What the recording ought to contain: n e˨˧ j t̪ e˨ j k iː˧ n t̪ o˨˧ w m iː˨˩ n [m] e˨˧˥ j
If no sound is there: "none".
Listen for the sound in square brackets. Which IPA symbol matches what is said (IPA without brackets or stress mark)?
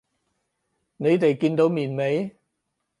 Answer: m